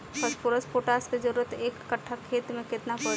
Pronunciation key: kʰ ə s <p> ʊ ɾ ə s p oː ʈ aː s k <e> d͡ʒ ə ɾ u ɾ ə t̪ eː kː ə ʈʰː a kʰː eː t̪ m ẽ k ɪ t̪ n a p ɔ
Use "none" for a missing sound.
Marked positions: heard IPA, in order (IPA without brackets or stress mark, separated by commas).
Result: p, e